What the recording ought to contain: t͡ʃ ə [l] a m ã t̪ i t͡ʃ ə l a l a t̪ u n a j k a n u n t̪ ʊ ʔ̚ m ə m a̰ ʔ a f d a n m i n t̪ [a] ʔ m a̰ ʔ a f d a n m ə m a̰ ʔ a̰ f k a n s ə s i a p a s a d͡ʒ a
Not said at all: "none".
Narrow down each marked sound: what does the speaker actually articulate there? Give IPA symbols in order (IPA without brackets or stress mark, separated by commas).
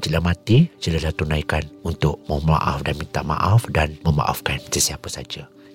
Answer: l, a